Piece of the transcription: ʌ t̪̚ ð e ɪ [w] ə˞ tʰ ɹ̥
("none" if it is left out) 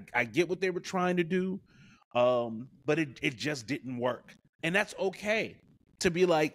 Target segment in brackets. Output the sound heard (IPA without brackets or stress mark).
w